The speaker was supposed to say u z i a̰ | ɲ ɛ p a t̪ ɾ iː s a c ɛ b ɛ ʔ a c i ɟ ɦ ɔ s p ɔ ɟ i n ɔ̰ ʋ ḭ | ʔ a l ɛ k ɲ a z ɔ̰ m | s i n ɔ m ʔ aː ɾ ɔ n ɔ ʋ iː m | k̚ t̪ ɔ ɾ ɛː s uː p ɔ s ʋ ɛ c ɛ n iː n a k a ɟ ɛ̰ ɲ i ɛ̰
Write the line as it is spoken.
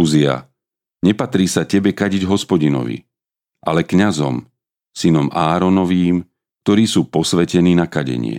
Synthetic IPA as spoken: u z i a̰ | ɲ ɛ p a t̪ ɾ iː s a c ɛ b ɛ k a ɟ i ɟ ɦ ɔ s p ɔ ɟ i n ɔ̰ ʋ ḭ | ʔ a l ɛ k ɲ a z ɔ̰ m | s i n ɔ m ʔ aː ɾ ɔ n ɔ ʋ iː m | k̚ t̪ ɔ ɾ iː s uː p ɔ s ʋ ɛ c ɛ n iː n a k a ɟ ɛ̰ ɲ ɪ ɛ̰